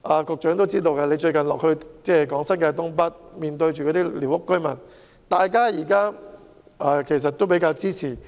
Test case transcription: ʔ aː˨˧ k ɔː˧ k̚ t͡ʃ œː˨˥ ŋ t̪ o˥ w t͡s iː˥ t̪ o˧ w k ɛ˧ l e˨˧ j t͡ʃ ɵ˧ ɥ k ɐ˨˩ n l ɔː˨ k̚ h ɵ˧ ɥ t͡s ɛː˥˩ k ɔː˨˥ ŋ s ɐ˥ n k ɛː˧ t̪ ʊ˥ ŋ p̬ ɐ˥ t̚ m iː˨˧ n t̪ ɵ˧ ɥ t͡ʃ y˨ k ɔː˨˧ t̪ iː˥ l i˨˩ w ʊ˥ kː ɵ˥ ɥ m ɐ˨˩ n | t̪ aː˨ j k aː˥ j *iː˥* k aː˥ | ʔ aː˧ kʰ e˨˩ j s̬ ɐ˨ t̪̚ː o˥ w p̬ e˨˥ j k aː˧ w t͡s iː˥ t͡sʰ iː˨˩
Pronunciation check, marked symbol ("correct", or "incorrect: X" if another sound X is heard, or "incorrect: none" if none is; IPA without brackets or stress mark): incorrect: iː˨˩